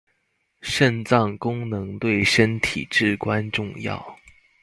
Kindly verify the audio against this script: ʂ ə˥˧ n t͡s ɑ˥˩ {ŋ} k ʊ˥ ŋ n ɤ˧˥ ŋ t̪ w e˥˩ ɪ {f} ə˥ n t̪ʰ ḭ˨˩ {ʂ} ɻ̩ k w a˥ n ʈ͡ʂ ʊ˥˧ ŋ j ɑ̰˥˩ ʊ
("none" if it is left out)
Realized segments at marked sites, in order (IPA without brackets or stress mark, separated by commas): ŋ, ʂ, ʈ͡ʂ